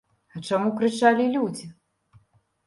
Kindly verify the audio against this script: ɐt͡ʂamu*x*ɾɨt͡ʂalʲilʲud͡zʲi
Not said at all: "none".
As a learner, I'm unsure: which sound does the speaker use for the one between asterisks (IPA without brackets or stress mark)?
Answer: k